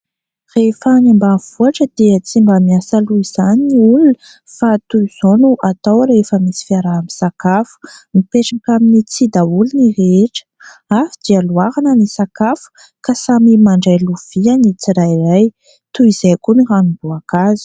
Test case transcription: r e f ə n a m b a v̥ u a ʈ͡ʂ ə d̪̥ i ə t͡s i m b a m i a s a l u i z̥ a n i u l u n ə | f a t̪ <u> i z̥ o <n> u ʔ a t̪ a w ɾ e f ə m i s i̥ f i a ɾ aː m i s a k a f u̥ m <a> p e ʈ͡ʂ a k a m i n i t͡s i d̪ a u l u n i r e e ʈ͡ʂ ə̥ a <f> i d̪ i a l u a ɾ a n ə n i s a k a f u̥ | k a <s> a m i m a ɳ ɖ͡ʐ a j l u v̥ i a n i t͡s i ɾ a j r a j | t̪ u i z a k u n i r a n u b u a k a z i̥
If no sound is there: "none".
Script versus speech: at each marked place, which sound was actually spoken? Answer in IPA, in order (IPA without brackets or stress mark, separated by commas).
u, n, i, f, s